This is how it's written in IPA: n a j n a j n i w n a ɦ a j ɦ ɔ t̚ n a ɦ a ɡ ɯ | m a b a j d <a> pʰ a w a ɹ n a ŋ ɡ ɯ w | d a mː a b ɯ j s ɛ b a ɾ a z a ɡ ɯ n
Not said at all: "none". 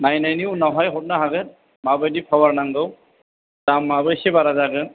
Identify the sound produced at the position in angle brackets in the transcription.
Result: i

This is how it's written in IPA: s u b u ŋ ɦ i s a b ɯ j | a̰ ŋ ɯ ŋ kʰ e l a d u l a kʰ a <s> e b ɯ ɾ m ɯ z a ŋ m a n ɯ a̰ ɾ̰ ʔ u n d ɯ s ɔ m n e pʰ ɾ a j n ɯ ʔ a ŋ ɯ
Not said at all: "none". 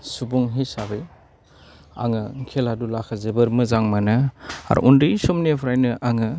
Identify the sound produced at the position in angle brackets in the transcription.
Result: z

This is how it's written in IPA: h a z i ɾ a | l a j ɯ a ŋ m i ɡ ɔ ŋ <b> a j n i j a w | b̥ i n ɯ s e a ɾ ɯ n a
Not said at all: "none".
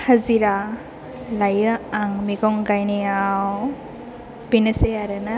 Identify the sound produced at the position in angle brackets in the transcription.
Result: ɡ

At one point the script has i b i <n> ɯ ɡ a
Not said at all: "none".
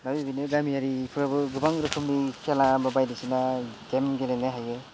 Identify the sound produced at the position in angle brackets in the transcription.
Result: n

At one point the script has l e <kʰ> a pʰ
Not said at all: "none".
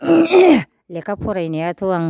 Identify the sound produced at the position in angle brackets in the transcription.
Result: k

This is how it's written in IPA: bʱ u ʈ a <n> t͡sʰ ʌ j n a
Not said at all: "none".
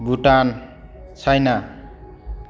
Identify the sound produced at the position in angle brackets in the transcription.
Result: n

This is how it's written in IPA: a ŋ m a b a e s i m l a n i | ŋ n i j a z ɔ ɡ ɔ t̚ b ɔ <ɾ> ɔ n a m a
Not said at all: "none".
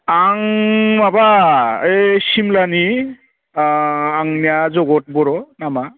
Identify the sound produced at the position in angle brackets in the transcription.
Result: ɾ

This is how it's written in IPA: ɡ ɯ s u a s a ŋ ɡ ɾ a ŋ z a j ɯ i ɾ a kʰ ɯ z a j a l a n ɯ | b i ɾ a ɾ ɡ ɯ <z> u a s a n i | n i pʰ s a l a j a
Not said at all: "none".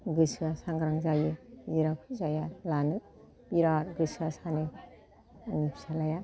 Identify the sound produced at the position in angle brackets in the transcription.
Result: s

